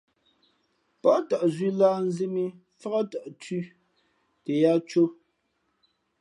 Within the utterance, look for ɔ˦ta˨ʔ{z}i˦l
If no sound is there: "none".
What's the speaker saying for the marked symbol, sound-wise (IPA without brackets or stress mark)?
z